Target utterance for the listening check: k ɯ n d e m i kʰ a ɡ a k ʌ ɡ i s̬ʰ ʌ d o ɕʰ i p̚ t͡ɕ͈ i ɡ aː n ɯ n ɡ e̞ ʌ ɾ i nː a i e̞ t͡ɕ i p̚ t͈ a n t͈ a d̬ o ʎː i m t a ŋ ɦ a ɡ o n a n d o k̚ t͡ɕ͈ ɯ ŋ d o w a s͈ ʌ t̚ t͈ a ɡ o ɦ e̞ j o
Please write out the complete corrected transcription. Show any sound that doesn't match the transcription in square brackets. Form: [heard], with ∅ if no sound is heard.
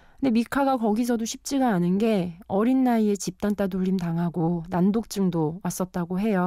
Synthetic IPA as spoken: k ɯ n d e m i kʰ a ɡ a k ʌ ɡ i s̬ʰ ʌ d o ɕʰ i p̚ t͡ɕ͈ i ɡ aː n ɯ n ɡ e̞ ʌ ɾ i nː a i e̞ t͡ɕ i p̚ t͈ a n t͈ a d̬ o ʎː i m t a ŋ ɦ a ɡ o n a n d o k̚ t͡ɕ͈ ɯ ŋ d o w a s͈ ʌ t̚ t͈ a ɡ o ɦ e̞ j o